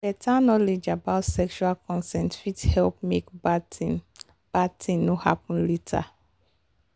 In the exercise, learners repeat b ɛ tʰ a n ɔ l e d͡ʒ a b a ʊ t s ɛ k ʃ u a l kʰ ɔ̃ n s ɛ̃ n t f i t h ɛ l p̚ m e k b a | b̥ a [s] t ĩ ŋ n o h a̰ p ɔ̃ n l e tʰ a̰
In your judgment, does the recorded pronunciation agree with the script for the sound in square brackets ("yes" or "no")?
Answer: no